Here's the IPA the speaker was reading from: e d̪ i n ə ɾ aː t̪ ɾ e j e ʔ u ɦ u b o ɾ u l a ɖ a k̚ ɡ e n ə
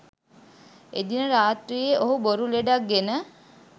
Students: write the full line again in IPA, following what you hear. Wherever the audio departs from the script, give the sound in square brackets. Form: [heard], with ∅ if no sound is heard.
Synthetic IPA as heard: e d̪ i n ə ɾ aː t̪ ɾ [i] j e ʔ [o] ɦ u b o ɾ u l [e] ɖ a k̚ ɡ e n ə